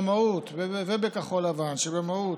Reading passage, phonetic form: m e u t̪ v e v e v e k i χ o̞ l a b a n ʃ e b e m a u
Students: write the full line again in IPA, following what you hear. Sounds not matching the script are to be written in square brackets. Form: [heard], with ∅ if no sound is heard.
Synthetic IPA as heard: m [a] u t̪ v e v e [b] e k [a] χ o̞ l a [v] a n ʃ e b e m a u